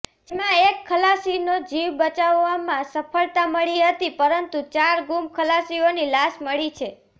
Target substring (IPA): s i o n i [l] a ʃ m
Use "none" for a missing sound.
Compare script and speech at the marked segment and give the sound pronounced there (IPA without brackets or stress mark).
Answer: l